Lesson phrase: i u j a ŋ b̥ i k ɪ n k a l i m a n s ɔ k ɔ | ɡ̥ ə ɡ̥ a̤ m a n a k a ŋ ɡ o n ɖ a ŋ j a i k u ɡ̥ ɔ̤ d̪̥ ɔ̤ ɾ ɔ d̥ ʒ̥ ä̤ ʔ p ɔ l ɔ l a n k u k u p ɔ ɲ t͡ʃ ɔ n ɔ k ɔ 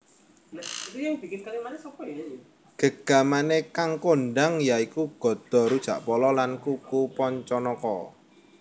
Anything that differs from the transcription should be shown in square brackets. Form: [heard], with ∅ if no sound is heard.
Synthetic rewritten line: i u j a ŋ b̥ i k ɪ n k a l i m a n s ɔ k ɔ | ɡ̥ ə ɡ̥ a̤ m a n [e] k a ŋ [k] o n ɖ a ŋ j a i k u ɡ̥ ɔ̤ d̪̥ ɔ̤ ɾ [u] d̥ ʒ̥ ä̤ ʔ p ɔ l ɔ l a n k u k u p ɔ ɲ t͡ʃ ɔ n ɔ k ɔ